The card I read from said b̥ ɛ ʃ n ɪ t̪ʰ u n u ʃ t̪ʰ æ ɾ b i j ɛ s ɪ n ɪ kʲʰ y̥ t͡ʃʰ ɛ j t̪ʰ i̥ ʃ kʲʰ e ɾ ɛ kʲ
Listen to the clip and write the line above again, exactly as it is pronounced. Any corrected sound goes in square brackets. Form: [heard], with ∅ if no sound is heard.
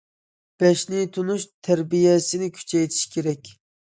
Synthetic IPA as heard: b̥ ɛ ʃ n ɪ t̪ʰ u n u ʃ t̪ʰ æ ɾ b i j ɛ s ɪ n ɪ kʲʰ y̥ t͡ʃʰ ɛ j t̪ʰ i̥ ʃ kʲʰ e ɾ ɛ kʲ